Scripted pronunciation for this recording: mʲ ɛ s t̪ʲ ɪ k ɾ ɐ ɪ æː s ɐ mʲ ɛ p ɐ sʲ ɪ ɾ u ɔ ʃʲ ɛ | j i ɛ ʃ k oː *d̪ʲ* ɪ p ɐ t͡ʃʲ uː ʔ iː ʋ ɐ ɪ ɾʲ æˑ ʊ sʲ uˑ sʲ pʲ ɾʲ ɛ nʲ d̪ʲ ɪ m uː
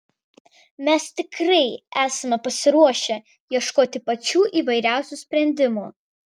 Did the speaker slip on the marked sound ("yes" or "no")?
yes